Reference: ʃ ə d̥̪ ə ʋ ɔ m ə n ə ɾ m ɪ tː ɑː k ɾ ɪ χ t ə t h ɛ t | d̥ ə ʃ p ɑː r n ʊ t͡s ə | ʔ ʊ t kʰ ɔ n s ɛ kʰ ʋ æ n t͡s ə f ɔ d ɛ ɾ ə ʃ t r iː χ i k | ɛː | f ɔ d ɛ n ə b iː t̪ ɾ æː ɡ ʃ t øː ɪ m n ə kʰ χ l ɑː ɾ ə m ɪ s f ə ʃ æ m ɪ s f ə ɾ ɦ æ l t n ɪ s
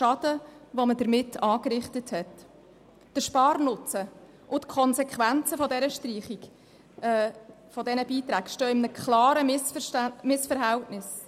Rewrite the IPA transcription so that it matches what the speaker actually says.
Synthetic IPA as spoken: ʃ ɑ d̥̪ ə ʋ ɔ m ə d ə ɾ m ɪ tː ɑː k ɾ ɪ χ t ə t h ɛ t | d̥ ə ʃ p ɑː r n ʊ t͡s ə | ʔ ʊ t kʰ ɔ n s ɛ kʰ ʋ æ n t͡s ə f ɔ d ɛ ɾ ə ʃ t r iː χ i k | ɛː | f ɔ d ɛ n ə b iː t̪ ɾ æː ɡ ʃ t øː ɪ m n ə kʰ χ l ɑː ɾ ə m ɪ s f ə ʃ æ m ɪ s f ə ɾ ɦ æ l t n ɪ s